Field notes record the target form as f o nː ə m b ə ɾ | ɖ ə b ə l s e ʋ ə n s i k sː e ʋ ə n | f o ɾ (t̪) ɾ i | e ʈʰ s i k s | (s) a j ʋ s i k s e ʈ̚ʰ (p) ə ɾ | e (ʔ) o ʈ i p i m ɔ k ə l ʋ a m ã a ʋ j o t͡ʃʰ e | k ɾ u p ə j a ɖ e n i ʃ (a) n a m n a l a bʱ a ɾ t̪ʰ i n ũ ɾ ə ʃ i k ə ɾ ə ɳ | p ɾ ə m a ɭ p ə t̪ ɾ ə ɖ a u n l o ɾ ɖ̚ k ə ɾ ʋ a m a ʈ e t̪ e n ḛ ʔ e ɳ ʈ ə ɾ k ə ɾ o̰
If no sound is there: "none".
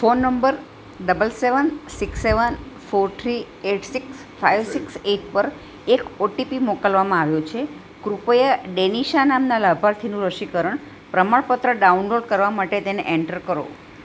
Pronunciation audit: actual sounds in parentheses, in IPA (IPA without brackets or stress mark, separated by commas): t̪ʰ, f, p, k, a